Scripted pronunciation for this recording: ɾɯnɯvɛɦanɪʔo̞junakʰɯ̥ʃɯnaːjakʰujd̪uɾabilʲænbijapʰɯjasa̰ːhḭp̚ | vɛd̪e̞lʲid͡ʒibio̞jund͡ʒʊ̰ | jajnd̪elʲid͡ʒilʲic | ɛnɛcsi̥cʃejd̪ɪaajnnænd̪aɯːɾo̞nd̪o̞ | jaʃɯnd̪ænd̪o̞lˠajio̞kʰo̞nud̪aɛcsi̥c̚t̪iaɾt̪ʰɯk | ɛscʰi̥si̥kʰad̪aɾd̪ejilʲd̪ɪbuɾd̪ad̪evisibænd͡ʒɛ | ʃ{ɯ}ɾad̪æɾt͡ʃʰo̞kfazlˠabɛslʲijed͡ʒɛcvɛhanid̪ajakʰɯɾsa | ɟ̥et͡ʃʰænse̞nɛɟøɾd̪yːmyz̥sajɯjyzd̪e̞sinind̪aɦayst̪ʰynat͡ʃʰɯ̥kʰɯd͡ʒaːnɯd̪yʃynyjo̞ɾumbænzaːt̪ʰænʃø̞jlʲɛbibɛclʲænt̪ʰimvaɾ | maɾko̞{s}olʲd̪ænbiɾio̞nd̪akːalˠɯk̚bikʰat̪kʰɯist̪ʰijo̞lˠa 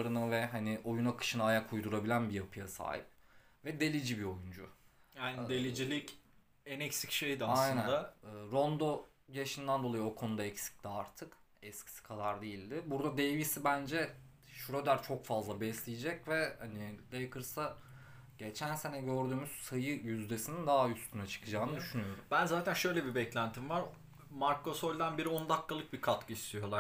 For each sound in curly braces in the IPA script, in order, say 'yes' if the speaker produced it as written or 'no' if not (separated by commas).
no, yes